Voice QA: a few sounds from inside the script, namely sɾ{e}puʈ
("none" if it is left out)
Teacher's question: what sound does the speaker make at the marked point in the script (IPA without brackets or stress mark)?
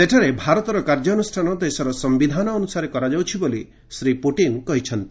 i